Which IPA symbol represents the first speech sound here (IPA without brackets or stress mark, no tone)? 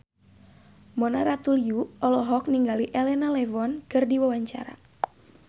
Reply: m